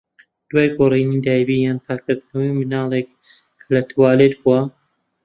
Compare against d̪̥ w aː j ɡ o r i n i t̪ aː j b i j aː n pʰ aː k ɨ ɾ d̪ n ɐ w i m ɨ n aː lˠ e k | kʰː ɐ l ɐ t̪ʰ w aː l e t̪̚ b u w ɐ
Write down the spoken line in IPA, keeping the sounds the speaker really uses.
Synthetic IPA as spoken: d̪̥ w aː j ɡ o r i n i d̪ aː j b i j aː n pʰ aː k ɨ ɾ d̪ n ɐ w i m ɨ n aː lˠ e k | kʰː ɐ l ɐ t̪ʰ w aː l e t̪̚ b u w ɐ